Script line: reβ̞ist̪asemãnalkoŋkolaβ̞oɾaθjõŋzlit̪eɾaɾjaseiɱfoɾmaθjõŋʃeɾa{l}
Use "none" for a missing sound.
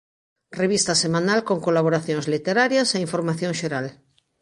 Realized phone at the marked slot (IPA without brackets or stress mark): l